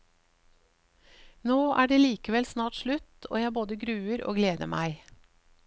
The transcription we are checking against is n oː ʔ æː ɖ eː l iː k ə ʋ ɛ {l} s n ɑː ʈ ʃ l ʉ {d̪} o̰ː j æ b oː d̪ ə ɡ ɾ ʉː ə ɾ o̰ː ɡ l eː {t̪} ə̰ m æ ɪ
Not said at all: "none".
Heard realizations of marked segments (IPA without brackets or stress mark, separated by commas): l, t̪, d̪